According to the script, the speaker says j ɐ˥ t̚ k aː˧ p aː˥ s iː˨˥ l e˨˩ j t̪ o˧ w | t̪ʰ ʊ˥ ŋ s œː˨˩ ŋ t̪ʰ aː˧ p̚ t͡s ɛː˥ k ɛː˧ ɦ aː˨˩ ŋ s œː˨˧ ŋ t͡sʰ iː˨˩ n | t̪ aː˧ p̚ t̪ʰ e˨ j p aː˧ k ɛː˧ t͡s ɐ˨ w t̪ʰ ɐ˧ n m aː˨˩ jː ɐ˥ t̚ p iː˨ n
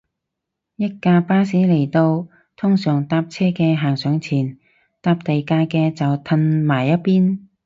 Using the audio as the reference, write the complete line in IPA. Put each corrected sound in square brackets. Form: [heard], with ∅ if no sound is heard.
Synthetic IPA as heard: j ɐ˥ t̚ k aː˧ p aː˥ s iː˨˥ l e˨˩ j t̪ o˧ w | t̪ʰ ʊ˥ ŋ s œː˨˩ ŋ [t̪] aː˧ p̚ [t͡sʰ] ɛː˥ k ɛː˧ ɦ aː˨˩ ŋ s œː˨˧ ŋ t͡sʰ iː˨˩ n | t̪ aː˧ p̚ [t̪] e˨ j [k] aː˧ k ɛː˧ t͡s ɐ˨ w t̪ʰ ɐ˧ n m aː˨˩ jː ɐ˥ t̚ p [iː˥] n